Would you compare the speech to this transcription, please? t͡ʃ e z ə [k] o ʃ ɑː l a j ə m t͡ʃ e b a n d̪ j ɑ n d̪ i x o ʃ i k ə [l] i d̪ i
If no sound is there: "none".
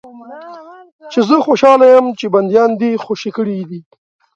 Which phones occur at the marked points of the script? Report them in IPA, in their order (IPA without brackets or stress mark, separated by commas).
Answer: x, ɽ